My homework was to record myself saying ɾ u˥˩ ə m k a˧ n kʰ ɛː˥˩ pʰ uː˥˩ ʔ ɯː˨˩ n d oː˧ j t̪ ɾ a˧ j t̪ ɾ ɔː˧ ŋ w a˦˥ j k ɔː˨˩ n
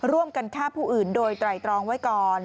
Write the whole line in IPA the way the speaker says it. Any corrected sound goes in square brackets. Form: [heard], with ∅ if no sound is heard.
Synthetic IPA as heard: ɾ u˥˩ ə m k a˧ n kʰ [aː˥˩] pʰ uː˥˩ ʔ ɯː˨˩ n d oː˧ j t̪ ɾ [a˨˩] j t̪ ɾ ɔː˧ ŋ w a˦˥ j k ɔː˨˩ n